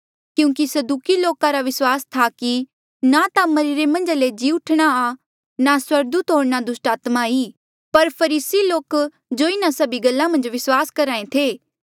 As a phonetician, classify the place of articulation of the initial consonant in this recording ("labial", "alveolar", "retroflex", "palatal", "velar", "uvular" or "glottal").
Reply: velar